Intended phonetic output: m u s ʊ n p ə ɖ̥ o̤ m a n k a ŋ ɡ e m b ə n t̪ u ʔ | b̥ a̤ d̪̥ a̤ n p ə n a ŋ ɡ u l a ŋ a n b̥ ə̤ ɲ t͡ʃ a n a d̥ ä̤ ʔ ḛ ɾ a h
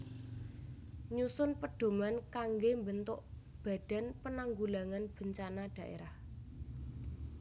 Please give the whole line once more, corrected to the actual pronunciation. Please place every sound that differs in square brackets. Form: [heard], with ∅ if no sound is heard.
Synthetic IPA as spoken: [ɲ] u s ʊ n p ə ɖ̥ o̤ m a n k a ŋ ɡ e m b ə n t̪ [ʊ] ʔ | b̥ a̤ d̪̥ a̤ n p ə n a ŋ ɡ u l a ŋ a n b̥ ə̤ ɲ t͡ʃ a n a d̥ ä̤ ʔ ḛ ɾ a h